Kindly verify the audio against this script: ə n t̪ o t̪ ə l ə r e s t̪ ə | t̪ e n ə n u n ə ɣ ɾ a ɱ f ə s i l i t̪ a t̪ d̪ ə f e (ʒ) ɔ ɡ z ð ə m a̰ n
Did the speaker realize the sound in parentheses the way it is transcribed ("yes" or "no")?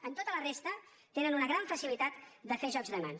yes